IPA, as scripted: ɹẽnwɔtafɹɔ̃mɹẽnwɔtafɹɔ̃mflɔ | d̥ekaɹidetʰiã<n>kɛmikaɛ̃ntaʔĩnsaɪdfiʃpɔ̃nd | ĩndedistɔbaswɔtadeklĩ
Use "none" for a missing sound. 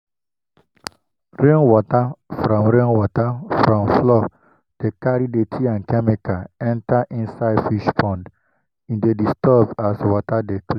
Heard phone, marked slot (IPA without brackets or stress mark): n